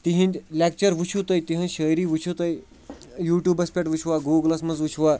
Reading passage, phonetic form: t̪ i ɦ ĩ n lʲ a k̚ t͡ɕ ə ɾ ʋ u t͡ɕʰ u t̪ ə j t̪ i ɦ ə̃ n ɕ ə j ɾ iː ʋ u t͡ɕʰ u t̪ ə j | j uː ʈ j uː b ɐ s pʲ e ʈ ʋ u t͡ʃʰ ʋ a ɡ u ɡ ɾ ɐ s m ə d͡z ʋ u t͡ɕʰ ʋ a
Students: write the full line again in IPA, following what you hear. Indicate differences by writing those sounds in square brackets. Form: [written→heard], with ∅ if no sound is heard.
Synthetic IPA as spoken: t̪ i ɦ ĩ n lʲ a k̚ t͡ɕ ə ɾ ʋ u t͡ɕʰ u t̪ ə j t̪ i ɦ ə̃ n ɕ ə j ɾ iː ʋ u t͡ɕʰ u t̪ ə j | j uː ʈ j uː b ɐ s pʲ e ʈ ʋ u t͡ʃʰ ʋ a ɡ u ɡ [ɾ→l] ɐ s m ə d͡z ʋ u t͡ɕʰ ʋ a